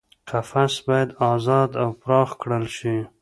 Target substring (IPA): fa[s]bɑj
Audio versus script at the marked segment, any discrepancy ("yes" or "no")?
no